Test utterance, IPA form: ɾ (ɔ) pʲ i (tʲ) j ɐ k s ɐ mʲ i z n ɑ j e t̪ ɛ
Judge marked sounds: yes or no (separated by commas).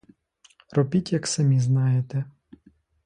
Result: yes, yes